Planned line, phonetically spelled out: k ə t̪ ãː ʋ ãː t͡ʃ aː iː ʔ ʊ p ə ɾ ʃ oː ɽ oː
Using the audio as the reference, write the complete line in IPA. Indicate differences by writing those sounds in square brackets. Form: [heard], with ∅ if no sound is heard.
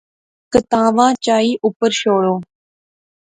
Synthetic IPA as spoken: k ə t̪ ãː ʋ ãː t͡ʃ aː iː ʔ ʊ p ə ɾ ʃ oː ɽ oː